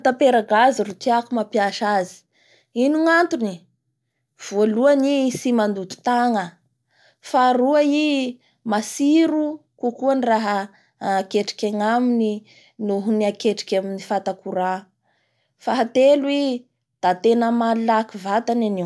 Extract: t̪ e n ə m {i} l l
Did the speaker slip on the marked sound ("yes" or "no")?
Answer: yes